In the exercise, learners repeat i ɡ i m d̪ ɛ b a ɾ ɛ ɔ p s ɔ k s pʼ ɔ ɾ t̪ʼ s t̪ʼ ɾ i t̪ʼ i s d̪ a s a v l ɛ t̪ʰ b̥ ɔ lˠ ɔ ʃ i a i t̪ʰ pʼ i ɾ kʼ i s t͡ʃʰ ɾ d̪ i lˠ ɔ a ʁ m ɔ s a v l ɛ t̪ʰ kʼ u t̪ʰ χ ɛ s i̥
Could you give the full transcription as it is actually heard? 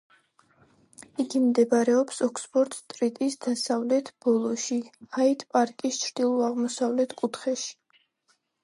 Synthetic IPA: i ɡ i m d̪ ɛ b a ɾ ɛ ɔ p s ɔ k s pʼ ɔ ɾ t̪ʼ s t̪ʼ ɾ i t̪ʼ i s d̪ a s a v l ɛ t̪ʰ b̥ ɔ lˠ ɔ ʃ i a i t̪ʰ pʼ a ɾ kʼ i s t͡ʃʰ ɾ d̪ i lˠ ɔ a ʁ m ɔ s a v l ɛ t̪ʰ kʼ u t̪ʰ χ ɛ ʃ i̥